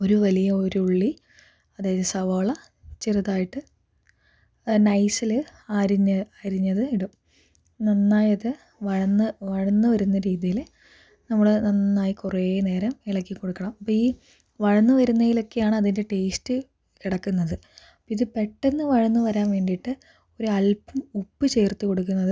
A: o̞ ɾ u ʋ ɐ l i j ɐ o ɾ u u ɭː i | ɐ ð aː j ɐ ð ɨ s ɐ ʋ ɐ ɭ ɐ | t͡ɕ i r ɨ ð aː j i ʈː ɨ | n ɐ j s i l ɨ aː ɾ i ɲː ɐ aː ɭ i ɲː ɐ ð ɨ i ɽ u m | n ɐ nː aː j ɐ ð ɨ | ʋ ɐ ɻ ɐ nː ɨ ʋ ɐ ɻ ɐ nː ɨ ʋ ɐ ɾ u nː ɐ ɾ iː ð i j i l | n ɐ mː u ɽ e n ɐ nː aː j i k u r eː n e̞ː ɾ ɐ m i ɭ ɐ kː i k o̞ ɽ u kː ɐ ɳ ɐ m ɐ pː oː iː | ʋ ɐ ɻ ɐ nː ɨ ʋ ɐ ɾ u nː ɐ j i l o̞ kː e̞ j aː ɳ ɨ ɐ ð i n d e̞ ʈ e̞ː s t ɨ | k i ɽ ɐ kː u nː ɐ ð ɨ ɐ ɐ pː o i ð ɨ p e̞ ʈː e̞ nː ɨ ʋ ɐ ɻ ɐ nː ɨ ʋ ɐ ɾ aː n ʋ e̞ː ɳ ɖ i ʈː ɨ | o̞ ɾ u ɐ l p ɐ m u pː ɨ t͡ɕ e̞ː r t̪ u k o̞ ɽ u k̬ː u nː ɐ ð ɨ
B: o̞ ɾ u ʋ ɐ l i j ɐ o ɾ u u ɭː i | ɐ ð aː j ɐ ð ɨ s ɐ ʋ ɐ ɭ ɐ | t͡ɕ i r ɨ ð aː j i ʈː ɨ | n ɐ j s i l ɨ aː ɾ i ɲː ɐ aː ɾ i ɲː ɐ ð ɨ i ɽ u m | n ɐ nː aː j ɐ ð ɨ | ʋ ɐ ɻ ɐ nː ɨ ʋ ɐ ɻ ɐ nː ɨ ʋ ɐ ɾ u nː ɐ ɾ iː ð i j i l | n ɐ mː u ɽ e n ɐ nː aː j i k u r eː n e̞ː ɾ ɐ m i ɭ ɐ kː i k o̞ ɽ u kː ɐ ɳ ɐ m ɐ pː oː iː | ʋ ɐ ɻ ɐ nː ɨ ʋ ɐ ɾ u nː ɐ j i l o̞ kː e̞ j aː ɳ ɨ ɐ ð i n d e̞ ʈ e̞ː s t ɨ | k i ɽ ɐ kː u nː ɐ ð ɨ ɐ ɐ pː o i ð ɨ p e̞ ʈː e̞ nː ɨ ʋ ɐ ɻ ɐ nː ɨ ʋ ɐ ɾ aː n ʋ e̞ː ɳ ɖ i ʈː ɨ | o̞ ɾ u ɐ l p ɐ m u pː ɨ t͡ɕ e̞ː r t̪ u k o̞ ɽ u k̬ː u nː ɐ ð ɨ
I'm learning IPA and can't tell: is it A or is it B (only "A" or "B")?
B